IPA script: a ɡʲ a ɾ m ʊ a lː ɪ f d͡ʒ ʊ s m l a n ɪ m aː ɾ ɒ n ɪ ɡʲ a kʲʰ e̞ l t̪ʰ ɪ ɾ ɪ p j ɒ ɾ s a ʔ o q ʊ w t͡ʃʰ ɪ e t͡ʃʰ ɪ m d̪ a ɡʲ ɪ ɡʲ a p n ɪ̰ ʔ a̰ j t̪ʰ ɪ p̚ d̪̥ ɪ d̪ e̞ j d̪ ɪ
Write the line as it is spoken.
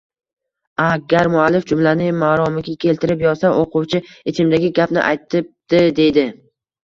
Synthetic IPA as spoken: a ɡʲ a ɾ m ʊ a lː ɪ f d͡ʒ ʊ m l a n ɪ m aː ɾ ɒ m ɪ ɡʲ a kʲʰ e̞ l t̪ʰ ɪ ɾ ɪ p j ɒ ɾ s a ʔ o q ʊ w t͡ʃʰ ɪ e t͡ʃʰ ɪ m d̪ a ɡʲ ɪ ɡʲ a p n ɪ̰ ʔ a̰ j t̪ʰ ɪ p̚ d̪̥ ɪ d̪ e̞ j d̪ ɪ